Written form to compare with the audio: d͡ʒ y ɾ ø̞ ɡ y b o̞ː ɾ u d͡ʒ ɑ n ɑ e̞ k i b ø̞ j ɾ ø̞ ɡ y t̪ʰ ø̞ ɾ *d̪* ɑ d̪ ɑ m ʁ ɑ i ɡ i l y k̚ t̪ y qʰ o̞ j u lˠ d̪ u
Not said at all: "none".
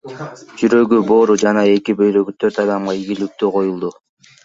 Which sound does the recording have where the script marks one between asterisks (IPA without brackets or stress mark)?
t̪